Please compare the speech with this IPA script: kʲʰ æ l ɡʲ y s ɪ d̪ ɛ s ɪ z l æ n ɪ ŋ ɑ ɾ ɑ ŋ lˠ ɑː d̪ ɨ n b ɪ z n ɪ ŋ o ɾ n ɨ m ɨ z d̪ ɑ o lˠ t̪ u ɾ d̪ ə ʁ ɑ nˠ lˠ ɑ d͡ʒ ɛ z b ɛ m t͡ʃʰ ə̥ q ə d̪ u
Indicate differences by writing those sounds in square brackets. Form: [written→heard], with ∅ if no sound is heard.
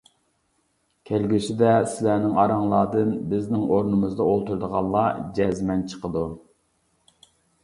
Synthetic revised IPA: kʲʰ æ l ɡʲ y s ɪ d̪ ɛ s ɪ [z→∅] l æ n ɪ ŋ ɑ ɾ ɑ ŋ lˠ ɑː d̪ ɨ n b ɪ z n ɪ ŋ o ɾ n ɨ m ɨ z d̪ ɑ o lˠ t̪ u ɾ d̪ ə ʁ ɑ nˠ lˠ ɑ d͡ʒ ɛ z [b→m] ɛ [m→n] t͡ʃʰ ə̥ q ə d̪ u